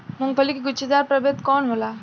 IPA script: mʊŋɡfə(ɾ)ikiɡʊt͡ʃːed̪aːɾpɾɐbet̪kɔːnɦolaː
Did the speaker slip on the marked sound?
yes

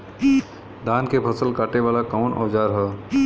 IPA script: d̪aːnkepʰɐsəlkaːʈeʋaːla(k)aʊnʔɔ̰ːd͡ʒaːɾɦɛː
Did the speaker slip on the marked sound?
no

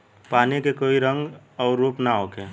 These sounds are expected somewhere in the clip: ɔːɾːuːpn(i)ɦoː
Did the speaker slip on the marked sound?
yes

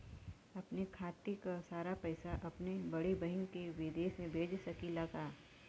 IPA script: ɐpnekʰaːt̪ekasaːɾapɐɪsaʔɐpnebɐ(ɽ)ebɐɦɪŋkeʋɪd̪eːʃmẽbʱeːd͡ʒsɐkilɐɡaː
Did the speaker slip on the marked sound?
no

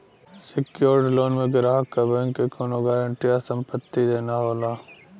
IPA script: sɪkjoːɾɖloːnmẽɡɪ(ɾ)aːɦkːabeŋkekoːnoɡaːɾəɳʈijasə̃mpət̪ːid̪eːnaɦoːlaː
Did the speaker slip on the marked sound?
no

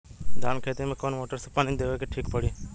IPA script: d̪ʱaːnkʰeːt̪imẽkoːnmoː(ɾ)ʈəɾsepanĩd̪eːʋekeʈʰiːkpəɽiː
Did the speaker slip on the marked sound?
yes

